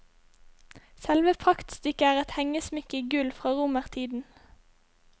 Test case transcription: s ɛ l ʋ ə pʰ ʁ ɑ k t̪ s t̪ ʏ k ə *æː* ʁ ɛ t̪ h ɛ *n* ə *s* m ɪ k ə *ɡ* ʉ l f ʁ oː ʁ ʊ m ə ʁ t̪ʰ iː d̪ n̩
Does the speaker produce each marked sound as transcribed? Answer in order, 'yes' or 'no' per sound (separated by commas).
yes, no, yes, yes